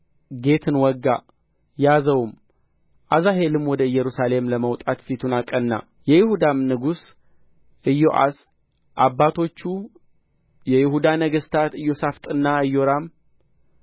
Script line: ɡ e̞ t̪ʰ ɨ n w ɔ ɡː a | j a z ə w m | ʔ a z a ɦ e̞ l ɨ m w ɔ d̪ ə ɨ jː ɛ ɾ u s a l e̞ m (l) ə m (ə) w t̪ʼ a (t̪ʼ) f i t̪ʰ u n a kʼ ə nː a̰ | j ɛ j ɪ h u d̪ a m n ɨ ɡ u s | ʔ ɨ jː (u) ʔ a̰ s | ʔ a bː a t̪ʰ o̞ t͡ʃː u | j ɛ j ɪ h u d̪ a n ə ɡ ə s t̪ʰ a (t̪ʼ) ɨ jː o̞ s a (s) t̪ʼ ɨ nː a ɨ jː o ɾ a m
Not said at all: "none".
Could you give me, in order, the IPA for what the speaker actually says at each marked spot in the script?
l, ə, t̪, o, t̪, f

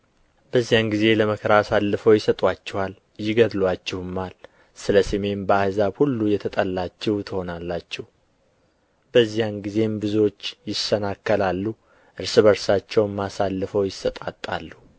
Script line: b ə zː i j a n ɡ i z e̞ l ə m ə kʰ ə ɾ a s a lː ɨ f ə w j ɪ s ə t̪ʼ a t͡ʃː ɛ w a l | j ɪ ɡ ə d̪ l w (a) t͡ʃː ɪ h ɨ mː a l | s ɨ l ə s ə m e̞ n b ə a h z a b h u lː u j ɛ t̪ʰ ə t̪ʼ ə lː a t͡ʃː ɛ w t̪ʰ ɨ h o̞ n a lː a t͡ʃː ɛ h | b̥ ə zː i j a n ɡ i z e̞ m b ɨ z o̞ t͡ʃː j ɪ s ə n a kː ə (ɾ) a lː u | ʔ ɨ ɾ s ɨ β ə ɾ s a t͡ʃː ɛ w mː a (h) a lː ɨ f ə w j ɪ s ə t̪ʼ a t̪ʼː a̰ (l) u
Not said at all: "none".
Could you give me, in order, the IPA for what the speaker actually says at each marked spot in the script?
a, l, s, lː

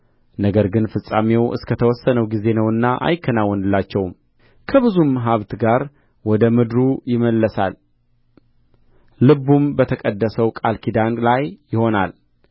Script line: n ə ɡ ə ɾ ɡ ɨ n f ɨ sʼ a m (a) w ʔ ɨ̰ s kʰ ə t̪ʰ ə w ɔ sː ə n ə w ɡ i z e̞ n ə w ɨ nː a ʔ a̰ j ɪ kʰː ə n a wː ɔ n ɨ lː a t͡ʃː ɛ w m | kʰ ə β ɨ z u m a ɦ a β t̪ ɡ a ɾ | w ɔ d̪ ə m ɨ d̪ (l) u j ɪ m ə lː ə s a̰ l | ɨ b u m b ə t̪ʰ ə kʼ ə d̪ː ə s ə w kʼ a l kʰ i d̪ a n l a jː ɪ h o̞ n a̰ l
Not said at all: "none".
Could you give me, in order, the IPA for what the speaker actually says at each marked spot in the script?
e, ɾ

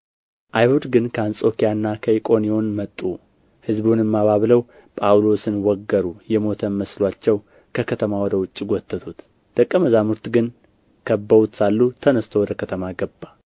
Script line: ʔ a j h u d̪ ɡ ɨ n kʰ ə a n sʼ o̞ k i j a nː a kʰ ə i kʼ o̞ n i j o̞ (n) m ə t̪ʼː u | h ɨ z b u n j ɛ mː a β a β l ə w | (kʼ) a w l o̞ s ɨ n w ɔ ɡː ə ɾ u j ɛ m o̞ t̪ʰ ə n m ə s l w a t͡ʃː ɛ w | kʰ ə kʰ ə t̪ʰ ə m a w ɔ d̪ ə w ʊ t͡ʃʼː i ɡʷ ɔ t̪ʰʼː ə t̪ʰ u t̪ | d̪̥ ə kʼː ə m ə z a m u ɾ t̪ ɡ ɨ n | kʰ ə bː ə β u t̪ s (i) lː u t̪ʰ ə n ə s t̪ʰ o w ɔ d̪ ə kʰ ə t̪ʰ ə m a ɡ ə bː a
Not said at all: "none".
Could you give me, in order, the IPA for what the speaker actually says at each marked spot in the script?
n, pʼ, a

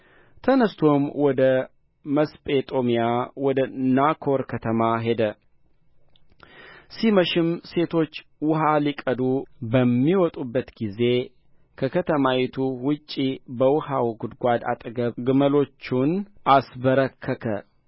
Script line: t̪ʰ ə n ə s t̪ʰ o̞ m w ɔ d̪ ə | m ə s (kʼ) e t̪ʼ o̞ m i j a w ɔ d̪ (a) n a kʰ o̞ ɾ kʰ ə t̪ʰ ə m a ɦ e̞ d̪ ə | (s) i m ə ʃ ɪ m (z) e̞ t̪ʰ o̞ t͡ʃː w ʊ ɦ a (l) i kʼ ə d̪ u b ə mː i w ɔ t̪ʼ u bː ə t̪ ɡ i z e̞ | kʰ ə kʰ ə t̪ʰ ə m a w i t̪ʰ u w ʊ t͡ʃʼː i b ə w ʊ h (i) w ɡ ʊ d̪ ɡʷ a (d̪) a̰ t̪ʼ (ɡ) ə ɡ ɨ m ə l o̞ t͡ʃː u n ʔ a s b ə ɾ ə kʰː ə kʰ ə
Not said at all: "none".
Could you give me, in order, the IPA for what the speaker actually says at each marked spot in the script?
pʼ, ə, s, s, l, a, d̪, ɡ

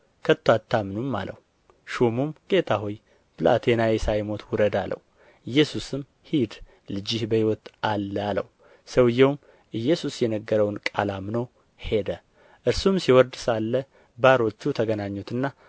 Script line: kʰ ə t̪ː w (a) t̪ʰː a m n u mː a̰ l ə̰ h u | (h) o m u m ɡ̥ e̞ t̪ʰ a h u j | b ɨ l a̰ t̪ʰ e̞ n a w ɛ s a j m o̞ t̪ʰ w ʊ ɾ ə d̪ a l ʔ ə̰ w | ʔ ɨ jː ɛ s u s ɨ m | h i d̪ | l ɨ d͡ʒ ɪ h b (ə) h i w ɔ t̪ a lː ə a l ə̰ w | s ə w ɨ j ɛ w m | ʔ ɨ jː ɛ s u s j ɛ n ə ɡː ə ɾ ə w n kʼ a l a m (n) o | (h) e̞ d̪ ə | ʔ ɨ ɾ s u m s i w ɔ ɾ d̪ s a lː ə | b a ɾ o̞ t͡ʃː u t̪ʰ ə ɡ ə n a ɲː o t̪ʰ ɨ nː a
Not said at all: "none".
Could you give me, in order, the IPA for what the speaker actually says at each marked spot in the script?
a, ʃ, ə, n, h

